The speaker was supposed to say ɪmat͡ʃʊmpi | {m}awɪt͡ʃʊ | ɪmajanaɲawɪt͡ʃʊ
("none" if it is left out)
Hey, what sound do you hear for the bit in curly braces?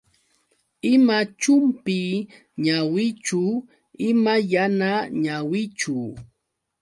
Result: ɲ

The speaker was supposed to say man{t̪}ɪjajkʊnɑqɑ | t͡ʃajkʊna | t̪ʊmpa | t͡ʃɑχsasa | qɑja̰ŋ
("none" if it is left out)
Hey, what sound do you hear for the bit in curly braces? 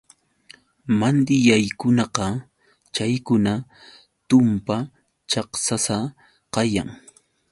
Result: d̪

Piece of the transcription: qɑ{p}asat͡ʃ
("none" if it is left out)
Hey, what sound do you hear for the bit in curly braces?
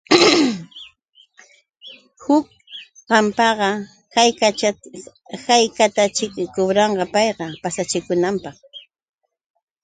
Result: p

